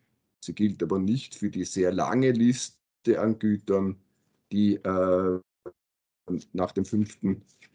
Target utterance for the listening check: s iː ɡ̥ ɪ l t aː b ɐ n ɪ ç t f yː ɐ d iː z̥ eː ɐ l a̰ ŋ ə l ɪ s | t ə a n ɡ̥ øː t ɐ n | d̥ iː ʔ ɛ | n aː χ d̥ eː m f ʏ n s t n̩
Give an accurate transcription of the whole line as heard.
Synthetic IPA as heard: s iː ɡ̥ ɪ l t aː b ɐ n ɪ ç t f yː ɐ d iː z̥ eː ɐ l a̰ ŋ ə l ɪ s | t ə a n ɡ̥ yː t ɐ n | d̥ iː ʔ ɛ | n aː χ d̥ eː m f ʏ n f t n̩